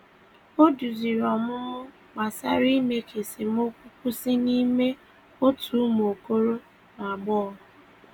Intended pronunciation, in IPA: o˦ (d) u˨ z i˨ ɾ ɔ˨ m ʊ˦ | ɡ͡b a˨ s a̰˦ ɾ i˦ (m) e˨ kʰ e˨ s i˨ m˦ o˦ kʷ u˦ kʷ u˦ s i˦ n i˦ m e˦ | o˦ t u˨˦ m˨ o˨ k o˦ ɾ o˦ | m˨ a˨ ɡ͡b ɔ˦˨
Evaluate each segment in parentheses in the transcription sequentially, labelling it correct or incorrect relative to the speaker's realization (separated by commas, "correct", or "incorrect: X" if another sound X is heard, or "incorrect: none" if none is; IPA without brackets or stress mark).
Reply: correct, correct